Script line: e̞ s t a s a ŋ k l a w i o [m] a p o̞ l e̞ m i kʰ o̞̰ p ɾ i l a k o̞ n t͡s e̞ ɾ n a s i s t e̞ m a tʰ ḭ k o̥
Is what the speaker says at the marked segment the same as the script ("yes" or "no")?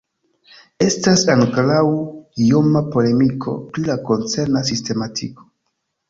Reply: yes